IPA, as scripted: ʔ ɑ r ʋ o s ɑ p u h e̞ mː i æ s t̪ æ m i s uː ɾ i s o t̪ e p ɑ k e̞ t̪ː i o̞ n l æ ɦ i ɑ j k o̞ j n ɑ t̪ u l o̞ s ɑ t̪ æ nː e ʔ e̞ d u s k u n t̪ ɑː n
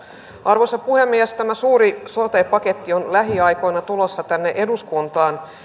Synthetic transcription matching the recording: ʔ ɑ r ʋ o s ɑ p u h e̞ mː i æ s t̪ æ m æ s uː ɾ i s o t̪ e p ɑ k e̞ t̪ː i o̞ n l æ ɦ i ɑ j k o̞ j n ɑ t̪ u l o̞ sː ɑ t̪ æ nː e ʔ e̞ d u s k u n t̪ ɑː n